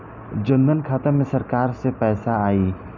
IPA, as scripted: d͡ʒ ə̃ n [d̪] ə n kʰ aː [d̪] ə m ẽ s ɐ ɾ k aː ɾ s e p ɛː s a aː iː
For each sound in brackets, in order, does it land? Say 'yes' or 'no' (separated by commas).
yes, no